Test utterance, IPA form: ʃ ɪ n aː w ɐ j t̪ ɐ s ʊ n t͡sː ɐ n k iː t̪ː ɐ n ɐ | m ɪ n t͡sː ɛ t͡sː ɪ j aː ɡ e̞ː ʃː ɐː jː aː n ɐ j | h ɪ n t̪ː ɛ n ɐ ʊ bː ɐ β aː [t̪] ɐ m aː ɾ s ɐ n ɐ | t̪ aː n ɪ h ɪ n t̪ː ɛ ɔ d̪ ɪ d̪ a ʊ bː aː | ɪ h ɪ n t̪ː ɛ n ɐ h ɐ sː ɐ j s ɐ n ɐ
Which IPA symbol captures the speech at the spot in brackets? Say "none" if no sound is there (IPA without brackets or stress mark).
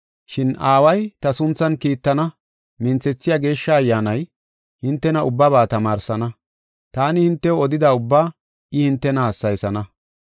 t̪